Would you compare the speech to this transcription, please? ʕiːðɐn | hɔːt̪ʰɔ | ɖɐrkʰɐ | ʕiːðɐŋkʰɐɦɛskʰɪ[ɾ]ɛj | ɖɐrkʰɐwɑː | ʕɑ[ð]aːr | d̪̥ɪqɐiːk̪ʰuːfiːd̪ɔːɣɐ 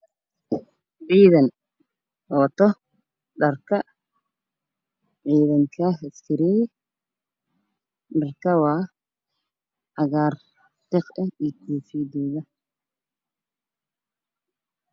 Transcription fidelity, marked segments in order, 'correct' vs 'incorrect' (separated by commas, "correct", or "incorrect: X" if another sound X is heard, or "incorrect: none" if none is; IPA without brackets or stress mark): correct, incorrect: ɣ